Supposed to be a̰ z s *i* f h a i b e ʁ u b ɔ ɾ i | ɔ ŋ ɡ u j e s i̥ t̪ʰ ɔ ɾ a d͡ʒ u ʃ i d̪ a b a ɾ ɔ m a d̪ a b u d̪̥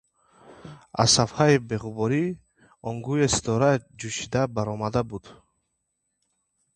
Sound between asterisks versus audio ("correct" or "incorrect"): incorrect